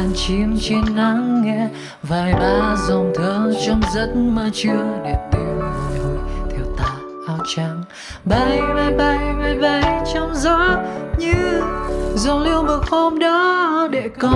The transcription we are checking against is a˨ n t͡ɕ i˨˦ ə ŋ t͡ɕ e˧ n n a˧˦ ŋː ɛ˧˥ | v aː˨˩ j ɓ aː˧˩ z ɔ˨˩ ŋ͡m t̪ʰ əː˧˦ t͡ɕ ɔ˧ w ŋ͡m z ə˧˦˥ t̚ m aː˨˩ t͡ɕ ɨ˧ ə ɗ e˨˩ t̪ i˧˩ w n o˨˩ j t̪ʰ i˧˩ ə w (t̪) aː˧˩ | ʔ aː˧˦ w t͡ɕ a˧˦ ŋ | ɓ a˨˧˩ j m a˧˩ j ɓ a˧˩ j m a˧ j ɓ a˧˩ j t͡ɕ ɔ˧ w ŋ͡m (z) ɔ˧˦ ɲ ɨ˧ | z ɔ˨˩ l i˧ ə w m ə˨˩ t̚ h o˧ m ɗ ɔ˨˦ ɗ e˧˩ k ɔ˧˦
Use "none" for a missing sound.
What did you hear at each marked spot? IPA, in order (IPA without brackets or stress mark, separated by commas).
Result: t̪, z